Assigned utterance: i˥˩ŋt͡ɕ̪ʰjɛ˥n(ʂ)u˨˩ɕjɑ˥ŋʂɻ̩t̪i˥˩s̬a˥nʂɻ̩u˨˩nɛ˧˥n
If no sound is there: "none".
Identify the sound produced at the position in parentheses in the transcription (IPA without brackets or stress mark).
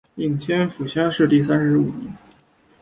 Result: f